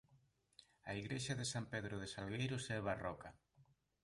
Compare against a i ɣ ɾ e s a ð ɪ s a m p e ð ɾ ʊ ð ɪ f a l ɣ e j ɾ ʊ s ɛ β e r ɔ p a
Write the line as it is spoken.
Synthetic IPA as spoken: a i ɣ ɾ e ʃ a ð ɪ s a m p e ð ɾ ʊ ð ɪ s a l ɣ e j ɾ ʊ s ɛ β a r ɔ k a